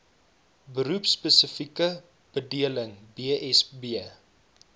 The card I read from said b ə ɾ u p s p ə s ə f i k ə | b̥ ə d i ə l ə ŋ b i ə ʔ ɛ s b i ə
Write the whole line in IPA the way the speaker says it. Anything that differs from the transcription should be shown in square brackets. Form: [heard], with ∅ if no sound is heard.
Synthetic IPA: b ə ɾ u p s p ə s ə f i k ə | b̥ ə d i ə l ə ŋ b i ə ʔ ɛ s b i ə